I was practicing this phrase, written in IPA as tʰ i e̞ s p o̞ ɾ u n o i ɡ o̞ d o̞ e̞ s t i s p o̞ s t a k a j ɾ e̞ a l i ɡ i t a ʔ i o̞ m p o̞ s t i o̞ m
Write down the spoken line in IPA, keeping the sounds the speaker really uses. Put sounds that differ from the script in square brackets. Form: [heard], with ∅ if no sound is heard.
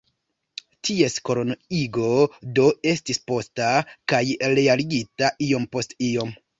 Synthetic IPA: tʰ i e̞ s [k] o̞ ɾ [o] n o i ɡ o̞ d o̞ e̞ s t i s p o̞ s t a k a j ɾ e̞ a l i ɡ i t a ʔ i o̞ m p o̞ s t i o̞ m